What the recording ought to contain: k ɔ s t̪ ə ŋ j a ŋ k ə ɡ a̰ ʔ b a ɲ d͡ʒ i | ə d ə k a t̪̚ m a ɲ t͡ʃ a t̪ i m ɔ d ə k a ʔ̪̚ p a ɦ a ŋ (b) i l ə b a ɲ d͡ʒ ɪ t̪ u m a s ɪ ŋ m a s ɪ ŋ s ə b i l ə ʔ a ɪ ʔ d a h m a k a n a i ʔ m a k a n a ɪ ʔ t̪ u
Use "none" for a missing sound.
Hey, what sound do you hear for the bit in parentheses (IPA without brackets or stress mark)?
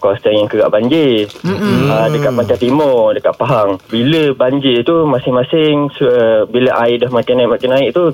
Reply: b